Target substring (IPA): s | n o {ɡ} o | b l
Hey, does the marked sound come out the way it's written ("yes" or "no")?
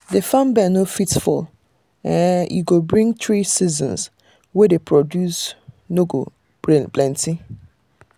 yes